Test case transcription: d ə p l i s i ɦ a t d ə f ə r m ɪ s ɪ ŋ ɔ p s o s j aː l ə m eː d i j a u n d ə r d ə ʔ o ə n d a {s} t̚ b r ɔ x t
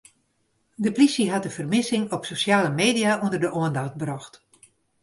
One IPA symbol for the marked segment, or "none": x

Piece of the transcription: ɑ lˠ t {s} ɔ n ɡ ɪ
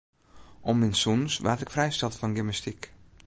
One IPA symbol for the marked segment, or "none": f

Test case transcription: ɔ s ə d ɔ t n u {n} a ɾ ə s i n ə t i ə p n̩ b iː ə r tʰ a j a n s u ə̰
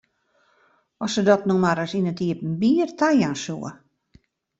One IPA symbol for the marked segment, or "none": m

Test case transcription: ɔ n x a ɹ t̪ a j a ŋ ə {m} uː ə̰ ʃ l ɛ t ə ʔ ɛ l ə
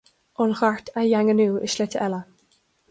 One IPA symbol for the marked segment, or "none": n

